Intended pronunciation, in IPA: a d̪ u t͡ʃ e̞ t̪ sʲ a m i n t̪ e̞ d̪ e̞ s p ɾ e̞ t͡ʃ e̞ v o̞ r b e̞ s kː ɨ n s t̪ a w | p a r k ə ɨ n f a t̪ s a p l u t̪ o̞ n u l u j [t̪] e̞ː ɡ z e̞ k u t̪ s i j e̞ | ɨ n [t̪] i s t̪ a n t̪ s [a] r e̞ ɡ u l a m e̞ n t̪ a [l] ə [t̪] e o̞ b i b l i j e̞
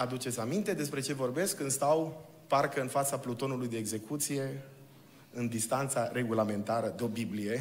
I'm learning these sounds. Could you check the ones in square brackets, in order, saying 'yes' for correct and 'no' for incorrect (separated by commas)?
no, no, yes, no, no